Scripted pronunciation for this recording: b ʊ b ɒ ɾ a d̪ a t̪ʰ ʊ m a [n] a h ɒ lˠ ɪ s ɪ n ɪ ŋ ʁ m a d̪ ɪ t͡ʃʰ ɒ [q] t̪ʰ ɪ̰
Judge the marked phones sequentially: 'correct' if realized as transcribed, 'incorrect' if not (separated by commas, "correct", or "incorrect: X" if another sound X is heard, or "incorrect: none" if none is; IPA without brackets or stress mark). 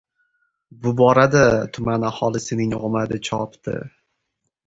correct, incorrect: p